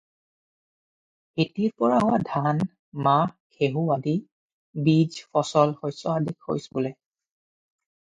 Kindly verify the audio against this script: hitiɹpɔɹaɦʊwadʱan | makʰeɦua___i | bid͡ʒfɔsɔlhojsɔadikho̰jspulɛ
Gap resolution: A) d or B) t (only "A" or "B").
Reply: A